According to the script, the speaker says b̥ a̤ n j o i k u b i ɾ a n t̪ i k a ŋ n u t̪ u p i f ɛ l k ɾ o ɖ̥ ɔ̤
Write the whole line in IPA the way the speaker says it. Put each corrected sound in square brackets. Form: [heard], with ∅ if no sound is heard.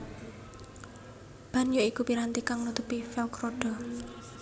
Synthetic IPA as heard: b̥ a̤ n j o i k u [p] i ɾ a n t̪ i k a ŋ n u t̪ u p i f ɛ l k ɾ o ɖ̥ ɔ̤